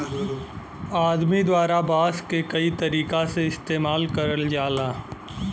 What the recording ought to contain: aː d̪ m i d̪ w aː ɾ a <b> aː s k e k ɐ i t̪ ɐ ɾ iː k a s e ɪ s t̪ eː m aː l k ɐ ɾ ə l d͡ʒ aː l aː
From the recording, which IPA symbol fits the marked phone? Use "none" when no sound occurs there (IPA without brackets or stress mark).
b